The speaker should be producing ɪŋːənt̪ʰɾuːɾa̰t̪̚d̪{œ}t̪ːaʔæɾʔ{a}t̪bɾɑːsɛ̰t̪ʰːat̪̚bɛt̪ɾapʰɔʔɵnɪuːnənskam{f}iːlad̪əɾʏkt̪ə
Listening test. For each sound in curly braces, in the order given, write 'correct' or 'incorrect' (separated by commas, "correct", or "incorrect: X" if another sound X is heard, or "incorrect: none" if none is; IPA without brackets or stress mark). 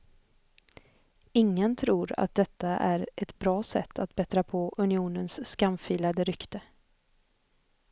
incorrect: ɛ, incorrect: ɛ, correct